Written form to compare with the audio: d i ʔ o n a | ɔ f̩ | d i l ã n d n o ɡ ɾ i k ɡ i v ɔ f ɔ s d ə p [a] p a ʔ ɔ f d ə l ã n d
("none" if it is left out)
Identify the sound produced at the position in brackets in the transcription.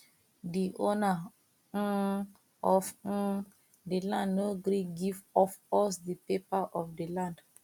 e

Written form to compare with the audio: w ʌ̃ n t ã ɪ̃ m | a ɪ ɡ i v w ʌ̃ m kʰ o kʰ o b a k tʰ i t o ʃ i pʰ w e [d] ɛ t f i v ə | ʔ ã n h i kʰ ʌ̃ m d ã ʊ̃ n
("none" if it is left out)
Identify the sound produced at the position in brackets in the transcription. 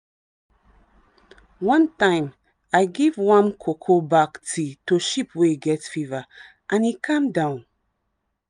ɡ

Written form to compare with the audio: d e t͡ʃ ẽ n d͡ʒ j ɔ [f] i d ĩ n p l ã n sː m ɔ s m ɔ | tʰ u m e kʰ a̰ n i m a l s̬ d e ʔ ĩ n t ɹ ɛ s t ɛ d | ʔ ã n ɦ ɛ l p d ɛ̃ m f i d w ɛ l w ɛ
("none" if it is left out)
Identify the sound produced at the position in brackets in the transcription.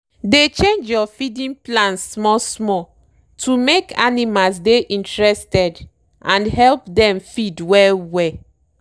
f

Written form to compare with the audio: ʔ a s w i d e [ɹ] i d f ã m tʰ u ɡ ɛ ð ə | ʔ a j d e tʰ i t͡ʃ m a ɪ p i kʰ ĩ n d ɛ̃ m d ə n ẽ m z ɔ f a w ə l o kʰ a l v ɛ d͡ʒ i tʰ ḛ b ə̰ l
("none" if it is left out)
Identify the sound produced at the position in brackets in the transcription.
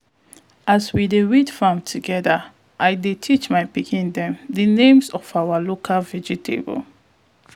ɹ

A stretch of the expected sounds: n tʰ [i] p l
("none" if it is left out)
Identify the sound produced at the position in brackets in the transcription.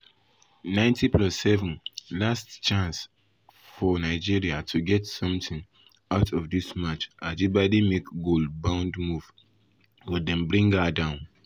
i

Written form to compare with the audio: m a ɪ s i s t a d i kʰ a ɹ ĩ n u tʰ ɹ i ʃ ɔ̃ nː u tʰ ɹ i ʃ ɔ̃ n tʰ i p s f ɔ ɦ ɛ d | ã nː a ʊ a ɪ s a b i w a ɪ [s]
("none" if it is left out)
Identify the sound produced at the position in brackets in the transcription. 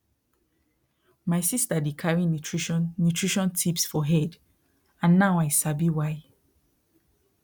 none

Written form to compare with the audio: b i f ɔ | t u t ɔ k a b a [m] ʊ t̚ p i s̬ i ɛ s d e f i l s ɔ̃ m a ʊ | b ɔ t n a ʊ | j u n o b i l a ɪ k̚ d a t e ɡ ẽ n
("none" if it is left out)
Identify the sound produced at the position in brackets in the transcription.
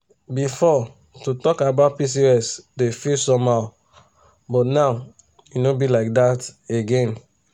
none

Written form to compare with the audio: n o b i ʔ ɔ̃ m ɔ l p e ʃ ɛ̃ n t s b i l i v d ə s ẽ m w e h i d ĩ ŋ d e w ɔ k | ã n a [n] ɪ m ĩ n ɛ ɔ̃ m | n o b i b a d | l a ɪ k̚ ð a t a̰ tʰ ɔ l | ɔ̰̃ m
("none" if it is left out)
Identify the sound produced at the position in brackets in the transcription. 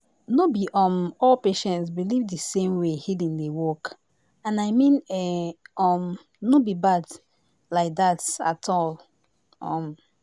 none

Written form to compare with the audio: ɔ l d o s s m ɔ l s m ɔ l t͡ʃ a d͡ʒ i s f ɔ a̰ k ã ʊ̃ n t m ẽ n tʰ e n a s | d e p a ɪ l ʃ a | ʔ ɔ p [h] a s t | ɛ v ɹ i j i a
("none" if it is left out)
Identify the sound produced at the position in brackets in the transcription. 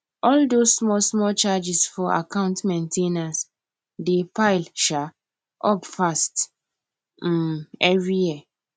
f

